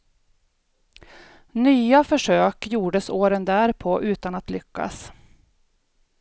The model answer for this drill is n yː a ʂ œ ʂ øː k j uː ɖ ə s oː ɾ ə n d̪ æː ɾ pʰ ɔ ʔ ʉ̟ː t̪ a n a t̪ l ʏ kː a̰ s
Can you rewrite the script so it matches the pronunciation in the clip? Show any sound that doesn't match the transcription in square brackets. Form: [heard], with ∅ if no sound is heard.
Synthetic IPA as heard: n yː a [f] œ ʂ øː k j uː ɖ ə s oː ɾ ə n d̪ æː ɾ pʰ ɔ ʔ ʉ̟ː t̪ a n a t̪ l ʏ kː a̰ s